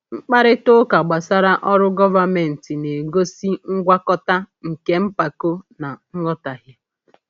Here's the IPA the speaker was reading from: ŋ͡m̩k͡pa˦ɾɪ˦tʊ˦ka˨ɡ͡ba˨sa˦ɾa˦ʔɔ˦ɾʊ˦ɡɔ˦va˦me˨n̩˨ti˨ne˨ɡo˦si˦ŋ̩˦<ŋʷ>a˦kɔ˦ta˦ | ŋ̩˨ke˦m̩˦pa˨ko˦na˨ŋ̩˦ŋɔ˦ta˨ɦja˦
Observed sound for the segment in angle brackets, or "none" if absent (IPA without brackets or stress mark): ɡʷ